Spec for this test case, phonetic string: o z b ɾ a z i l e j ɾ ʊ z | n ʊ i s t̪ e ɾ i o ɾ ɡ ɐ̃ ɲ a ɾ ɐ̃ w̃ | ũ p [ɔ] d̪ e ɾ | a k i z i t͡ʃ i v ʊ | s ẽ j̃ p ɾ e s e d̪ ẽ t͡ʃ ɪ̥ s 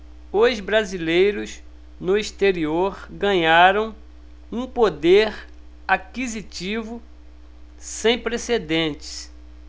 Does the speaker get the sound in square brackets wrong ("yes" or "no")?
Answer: yes